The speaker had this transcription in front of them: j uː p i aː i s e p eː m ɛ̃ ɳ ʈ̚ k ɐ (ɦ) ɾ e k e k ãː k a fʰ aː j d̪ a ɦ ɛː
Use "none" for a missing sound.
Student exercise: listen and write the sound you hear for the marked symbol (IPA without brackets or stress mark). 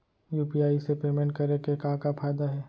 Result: none